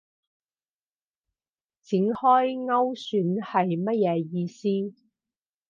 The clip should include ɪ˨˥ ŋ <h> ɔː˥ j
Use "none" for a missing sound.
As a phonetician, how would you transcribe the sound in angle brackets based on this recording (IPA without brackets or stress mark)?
h